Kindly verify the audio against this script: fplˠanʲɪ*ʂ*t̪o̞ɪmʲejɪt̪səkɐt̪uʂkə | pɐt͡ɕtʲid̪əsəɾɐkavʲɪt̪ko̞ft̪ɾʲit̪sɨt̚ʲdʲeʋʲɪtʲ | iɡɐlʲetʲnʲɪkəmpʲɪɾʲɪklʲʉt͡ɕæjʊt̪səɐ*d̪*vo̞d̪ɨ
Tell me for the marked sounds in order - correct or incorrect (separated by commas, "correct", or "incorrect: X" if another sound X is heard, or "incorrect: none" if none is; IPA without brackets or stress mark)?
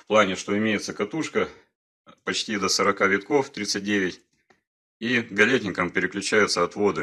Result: correct, incorrect: t̪